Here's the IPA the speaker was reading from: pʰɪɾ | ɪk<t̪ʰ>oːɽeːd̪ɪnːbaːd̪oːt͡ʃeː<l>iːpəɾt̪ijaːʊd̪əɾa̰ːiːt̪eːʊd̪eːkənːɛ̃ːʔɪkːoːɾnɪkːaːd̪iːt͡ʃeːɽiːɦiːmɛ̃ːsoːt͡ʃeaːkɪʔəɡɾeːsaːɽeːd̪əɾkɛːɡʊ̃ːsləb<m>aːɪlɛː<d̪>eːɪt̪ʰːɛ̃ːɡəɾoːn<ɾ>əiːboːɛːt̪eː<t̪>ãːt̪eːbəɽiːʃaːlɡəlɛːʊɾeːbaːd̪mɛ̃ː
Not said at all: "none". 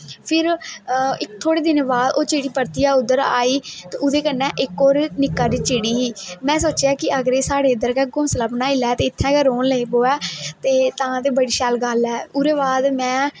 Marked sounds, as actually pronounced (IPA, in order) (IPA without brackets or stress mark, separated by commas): t̪ʰ, ɽ, n, t̪, l, t̪